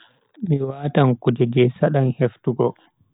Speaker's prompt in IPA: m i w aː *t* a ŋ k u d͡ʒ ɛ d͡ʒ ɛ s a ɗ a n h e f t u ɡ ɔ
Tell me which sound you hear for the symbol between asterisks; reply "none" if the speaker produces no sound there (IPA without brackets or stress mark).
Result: t